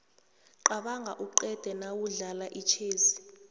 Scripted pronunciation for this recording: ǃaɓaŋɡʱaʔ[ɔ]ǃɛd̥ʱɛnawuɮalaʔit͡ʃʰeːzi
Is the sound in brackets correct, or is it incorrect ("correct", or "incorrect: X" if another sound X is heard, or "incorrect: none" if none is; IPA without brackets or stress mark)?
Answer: incorrect: u